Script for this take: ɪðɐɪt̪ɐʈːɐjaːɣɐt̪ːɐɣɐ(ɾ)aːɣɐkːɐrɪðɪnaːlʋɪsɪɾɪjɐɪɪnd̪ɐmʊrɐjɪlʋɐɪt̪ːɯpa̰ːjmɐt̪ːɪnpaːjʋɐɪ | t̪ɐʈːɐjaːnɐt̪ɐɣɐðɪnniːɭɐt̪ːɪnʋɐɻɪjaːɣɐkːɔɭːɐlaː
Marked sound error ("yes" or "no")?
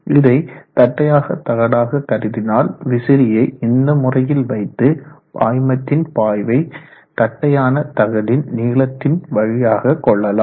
yes